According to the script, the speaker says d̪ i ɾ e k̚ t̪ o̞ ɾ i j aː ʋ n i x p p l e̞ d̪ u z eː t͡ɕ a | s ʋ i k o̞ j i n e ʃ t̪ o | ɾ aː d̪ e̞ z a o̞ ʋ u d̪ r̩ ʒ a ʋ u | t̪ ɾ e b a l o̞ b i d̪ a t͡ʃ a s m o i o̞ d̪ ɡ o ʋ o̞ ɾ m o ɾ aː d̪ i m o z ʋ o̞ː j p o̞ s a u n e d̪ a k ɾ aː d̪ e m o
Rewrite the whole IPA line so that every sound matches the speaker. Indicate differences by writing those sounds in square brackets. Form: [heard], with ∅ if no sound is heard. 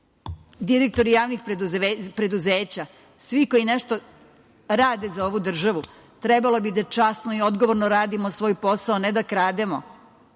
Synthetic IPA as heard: d̪ i ɾ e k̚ t̪ o̞ ɾ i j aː ʋ n i x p p [ɾ] e̞ d̪ u z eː t͡ɕ a | s ʋ i k o̞ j i n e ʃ t̪ o | ɾ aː d̪ e̞ z a o̞ ʋ u d̪ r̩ ʒ a ʋ u | t̪ ɾ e b a l o̞ b i d̪ a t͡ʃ a s [n] o i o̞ d̪ ɡ o ʋ o̞ ɾ [n] o ɾ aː d̪ i m o [s] ʋ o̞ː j p o̞ s a [o] n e d̪ a k ɾ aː d̪ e m o